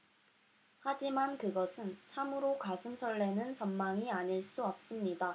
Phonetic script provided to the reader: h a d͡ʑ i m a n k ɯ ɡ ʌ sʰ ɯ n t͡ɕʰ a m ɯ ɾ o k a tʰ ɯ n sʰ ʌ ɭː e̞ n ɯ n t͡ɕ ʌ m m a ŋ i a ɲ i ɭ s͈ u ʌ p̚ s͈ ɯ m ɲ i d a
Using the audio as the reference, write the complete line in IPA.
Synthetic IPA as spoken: h a d͡ʑ i m a n k ɯ ɡ ʌ sʰ ɯ n t͡ɕʰ a m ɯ ɾ o k a sʰ ɯ n sʰ ʌ ɭː e̞ n ɯ n t͡ɕ ʌ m m a ŋ i a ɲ i ɭ s͈ u ʌ p̚ s͈ ɯ m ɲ i d a

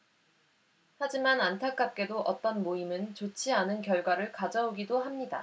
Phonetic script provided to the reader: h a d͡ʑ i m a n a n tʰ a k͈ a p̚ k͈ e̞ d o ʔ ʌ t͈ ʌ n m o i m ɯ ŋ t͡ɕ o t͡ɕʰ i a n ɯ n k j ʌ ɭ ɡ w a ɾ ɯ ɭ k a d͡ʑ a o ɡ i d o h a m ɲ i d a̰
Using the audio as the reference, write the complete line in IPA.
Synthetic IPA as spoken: h a d͡ʑ i m a n a n tʰ a k͈ a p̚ k͈ e̞ d o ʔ ʌ t͈ ʌ n m o i m ɯ n t͡ɕ o t͡ɕʰ i a n ɯ n k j ʌ ɭ ɡ w a ɾ ɯ ɭ k a d͡ʑ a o ɡ i d o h a m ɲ i d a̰

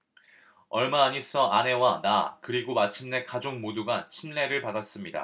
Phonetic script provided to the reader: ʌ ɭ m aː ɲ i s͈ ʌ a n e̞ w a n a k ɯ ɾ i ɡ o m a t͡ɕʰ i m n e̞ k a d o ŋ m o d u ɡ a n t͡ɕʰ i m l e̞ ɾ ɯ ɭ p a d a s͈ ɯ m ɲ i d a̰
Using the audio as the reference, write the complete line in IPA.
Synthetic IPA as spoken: ʌ ɭ m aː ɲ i s͈ ʌ a n e̞ w a n a k ɯ ɾ i ɡ o m a t͡ɕʰ i m n e̞ k a d͡ʑ o ŋ m o d u ɡ a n t͡ɕʰ i m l e̞ ɾ ɯ ɭ p a d a s͈ ɯ m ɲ i d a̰

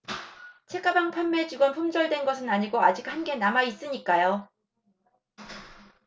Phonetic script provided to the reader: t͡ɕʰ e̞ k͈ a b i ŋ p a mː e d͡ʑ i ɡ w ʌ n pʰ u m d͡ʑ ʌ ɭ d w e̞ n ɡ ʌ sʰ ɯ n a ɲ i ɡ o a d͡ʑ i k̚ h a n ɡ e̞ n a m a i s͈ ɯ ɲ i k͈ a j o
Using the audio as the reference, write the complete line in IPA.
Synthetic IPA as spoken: t͡ɕʰ e̞ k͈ a b a ŋ pʰ a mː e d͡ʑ i ɡ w ʌ n pʰ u m d͡ʑ ʌ ɭ d w e̞ n ɡ ʌ sʰ ɯ n a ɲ i ɡ o a d͡ʑ i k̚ h a n ɡ e̞ n a m a i s͈ ɯ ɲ i k͈ a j o

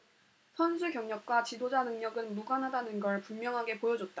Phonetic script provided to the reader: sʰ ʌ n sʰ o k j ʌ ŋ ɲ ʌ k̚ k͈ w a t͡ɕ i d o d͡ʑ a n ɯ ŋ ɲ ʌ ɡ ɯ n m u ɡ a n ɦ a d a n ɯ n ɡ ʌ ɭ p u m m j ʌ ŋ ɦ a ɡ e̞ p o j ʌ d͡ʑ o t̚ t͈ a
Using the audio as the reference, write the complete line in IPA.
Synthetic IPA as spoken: sʰ ʌ n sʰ u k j ʌ ŋ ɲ ʌ k̚ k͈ w a t͡ɕ i d o d͡ʑ a n ɯ ŋ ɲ ʌ ɡ ɯ n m u ɡ a n ɦ a d a n ɯ n ɡ ʌ ɭ p u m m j ʌ ŋ ɦ a ɡ e̞ p o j ʌ d͡ʑ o t̚ t͈ a

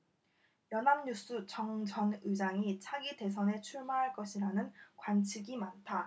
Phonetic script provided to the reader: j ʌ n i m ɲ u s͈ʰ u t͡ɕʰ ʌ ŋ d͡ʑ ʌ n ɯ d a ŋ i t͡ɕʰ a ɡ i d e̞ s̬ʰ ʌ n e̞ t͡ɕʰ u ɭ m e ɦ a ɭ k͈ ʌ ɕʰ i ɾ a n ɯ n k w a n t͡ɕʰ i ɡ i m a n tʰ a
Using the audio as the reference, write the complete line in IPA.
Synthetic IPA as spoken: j ʌ n a m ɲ u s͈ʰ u t͡ɕ ʌ ŋ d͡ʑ ʌ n ɯ d͡ʑ a ŋ i t͡ɕʰ a ɡ i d e̞ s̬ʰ ʌ n e̞ t͡ɕʰ u ɭ m a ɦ a ɭ k͈ ʌ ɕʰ i ɾ a n ɯ n k w a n t͡ɕʰ i ɡ i m a n tʰ a

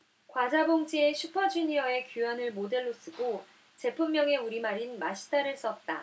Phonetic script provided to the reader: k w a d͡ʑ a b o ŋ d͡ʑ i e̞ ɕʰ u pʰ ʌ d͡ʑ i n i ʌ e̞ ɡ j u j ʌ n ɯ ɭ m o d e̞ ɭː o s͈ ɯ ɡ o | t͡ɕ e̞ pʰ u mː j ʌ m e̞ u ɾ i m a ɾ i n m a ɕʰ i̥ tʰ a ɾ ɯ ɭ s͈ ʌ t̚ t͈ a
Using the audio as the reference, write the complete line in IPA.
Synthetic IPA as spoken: k w a d͡ʑ a b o ŋ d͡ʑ i e̞ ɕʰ u pʰ ʌ d͡ʑ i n i ʌ e̞ k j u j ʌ n ɯ ɭ m o d e̞ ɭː o s͈ ɯ ɡ o | t͡ɕ e̞ pʰ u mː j ʌ ŋ e̞ u ɾ i m a ɾ i n m a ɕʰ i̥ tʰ a ɾ ɯ ɭ s͈ ʌ t̚ t͈ a

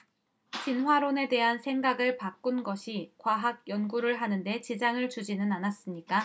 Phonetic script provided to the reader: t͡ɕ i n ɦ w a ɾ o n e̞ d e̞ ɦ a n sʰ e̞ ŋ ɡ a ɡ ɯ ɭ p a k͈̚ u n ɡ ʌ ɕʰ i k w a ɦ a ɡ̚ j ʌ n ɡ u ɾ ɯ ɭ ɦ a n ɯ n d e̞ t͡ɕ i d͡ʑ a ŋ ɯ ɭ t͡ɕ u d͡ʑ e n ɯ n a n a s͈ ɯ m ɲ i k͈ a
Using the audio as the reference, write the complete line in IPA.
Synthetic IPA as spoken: t͡ɕ i n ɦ w a ɾ o n e̞ d e̞ ɦ a n sʰ e̞ ŋ ɡ a ɡ ɯ ɭ p a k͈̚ u n ɡ ʌ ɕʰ i k w a ɦ a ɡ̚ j ʌ n ɡ u ɾ ɯ ɭ ɦ a n ɯ n d e̞ t͡ɕ i d͡ʑ a ŋ ɯ ɭ t͡ɕ u d͡ʑ i n ɯ n a n a s͈ ɯ m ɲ i k͈ a

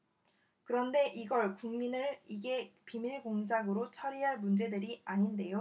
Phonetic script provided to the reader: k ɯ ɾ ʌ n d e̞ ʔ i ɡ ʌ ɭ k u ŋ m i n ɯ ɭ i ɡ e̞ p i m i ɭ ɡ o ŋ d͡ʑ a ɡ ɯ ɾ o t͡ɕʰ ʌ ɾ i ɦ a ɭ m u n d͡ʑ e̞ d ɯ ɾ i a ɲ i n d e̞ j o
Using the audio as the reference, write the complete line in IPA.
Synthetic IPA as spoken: k ɯ ɾ ʌ n d e̞ ʔ i ɡ ʌ ɭ k u ŋ m i n ɯ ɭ i ɡ e̞ p i m i ɭ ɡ o ŋ d͡ʑ a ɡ ɯ ɾ o t͡ɕʰ ʌ ɾ i ɦ a ɭ m u n d͡ʑ e̞ d ɯ ɾ i a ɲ i n d e̞ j o

